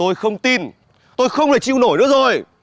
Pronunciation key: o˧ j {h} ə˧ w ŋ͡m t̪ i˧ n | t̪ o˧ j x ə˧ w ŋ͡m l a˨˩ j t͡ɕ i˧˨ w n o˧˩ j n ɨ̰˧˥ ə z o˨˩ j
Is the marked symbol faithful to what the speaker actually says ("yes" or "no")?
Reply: no